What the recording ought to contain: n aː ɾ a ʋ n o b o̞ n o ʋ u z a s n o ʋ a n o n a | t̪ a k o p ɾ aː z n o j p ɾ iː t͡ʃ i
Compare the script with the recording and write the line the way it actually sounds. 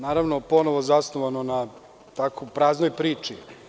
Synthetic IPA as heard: n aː ɾ a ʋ n o p o̞ n o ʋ o z a s n o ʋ a n o n a | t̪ a k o p ɾ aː z n o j p ɾ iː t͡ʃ i